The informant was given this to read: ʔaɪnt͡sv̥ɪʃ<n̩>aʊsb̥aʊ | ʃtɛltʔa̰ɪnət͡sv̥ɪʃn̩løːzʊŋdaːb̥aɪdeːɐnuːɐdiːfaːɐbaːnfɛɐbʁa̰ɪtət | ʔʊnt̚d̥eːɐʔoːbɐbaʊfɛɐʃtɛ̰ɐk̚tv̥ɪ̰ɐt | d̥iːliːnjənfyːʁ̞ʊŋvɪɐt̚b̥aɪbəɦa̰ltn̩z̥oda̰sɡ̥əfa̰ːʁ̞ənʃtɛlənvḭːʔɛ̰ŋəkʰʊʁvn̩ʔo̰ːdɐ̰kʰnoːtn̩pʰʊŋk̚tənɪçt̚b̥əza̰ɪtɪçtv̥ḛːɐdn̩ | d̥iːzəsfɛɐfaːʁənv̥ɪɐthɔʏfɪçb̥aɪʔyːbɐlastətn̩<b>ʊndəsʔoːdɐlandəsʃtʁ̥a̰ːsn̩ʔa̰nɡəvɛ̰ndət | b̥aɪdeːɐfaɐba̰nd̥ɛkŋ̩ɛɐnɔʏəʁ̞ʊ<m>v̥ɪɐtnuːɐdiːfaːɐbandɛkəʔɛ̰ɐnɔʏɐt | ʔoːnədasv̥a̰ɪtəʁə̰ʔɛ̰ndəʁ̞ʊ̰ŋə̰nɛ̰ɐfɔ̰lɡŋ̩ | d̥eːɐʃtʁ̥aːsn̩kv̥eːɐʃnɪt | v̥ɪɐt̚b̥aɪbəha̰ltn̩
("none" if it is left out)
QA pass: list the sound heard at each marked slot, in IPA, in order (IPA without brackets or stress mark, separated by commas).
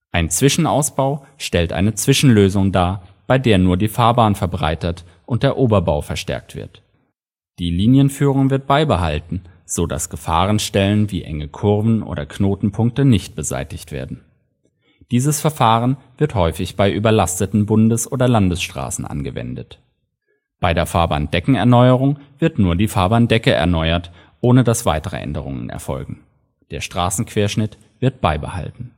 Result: n̩, b, ŋ